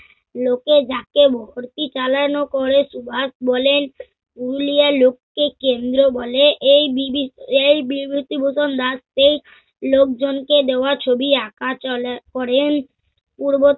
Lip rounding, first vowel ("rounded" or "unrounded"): rounded